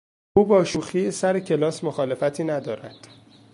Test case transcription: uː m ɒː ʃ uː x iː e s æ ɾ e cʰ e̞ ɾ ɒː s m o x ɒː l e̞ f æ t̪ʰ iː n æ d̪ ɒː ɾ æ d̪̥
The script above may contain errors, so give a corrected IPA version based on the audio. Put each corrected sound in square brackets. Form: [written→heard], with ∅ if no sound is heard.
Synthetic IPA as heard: uː [m→b] ɒː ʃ uː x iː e s æ ɾ e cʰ e̞ [ɾ→l] ɒː s m o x ɒː l e̞ f æ t̪ʰ iː n æ d̪ ɒː ɾ æ d̪̥